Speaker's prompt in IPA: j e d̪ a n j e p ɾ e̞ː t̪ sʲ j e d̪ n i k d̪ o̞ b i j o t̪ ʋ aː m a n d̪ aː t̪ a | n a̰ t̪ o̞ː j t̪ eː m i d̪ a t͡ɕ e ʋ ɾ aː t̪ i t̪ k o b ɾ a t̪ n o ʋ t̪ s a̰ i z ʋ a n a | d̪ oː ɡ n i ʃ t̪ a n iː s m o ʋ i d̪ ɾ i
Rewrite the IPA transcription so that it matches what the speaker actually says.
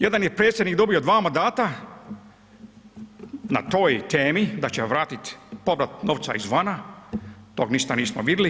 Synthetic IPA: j e d̪ a n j e p ɾ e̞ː t̪ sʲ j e d̪ n i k d̪ o̞ b i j o d̪ ʋ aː m a n d̪ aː t̪ a | n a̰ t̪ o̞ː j t̪ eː m i d̪ a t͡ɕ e ʋ ɾ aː t̪ i t̪ p o b ɾ a t̪ n o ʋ t̪ s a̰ i z ʋ a n a | t̪ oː ɡ n i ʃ t̪ a n iː s m o ʋ i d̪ l i